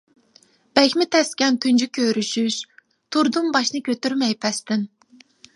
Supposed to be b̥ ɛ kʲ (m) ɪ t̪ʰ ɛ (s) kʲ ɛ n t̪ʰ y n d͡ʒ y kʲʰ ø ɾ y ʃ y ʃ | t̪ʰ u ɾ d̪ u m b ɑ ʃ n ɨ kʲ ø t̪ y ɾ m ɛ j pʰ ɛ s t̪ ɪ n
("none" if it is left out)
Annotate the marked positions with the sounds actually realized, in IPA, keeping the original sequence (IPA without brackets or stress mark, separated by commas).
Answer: m, s